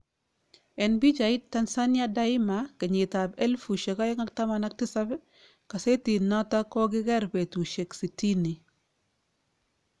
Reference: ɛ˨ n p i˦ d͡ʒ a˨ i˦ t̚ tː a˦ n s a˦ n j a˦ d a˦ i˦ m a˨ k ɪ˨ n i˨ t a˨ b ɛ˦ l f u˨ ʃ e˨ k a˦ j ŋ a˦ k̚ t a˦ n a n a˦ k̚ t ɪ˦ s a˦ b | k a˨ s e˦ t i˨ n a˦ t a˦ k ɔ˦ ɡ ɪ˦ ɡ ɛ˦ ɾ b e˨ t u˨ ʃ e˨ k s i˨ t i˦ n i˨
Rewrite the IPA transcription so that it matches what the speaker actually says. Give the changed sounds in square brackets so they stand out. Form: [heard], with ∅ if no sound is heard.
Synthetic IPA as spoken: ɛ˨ n [b] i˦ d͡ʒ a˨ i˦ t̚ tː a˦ n s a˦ n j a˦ d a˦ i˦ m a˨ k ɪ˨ [ɲ] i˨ t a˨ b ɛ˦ l f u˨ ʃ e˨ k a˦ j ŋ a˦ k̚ t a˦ [m] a n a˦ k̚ t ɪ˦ s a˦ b | k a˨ s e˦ t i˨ n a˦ t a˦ k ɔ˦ ɡ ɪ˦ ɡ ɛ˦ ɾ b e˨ t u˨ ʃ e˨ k s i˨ t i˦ n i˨